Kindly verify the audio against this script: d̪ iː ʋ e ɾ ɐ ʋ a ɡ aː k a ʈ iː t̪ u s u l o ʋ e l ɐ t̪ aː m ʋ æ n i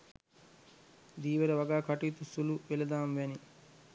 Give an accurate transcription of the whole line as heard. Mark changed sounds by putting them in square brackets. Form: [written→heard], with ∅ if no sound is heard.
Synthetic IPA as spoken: d̪ iː ʋ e ɾ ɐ ʋ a ɡ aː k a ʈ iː t̪ u s u l [o→u] ʋ e l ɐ [t̪→d̪] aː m ʋ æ n i